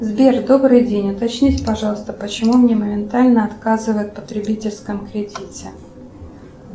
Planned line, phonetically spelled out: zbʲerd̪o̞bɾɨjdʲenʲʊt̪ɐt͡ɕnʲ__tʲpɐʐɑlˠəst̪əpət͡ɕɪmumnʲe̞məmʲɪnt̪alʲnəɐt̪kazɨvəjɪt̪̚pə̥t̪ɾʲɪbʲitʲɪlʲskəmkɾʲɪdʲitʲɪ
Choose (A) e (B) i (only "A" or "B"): B